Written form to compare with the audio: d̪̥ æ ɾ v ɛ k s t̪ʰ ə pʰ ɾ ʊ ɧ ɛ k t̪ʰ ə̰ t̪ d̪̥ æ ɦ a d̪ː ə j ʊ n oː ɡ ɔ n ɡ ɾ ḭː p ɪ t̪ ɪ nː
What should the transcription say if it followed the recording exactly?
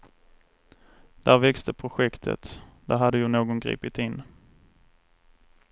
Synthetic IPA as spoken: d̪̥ æ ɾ v ɛ k s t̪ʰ ə pʰ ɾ ʊ ɧ ɛ k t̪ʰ ə̰ t̪ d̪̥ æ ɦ a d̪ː ə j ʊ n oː ɡ ɔ n ɡ ɾ ḭː p ɪ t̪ ɪ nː